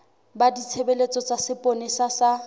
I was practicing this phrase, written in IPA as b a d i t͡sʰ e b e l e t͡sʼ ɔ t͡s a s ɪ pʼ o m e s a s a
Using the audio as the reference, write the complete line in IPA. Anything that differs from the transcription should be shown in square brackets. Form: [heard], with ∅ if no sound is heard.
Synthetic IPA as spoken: b a d i t͡sʰ e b e l e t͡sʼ ɔ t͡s a s ɪ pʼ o [n] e s a s a